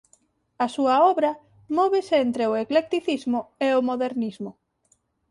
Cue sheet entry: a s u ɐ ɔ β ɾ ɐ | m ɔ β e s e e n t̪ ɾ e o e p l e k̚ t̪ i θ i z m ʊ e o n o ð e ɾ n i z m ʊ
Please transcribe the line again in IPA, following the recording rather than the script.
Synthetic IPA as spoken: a s u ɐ ɔ β ɾ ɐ | m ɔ β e s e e n t̪ ɾ e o e k l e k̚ t̪ i θ i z m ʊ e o m o ð e ɾ n i z m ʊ